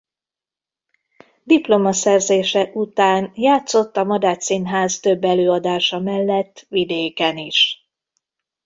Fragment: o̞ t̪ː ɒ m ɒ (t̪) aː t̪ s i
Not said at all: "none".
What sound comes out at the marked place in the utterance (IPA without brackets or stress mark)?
d̪